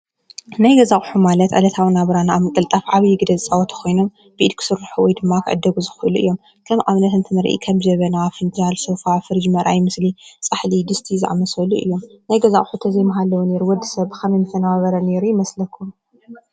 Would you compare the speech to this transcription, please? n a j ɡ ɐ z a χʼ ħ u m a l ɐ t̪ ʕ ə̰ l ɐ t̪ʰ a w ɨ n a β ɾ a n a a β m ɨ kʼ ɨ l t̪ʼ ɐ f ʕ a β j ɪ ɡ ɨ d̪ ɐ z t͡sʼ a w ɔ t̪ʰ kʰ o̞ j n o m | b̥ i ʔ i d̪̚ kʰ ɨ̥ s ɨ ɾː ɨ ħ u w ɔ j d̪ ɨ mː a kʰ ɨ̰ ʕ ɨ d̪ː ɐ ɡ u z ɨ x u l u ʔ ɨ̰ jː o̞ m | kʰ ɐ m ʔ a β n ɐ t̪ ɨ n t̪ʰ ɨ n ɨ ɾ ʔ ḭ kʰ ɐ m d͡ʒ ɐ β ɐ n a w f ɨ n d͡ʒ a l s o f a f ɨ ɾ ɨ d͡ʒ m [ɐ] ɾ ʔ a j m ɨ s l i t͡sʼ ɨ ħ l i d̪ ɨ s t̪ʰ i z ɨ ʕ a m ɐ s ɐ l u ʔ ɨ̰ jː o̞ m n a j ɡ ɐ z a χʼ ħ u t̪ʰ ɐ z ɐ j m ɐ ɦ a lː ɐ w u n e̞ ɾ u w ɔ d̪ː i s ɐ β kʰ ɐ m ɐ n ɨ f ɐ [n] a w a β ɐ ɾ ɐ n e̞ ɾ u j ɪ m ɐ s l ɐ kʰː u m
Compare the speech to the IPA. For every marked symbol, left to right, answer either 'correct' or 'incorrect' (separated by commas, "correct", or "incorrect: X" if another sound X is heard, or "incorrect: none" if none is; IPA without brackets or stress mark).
correct, correct